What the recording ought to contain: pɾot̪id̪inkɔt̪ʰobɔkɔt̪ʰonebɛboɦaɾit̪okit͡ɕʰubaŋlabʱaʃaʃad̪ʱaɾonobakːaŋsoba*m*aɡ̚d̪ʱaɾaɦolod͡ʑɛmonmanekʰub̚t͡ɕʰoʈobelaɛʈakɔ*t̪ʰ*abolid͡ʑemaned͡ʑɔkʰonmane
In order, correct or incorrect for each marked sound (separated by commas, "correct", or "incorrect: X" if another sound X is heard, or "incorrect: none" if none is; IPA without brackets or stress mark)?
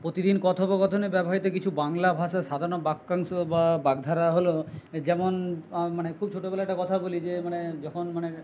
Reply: incorrect: b, correct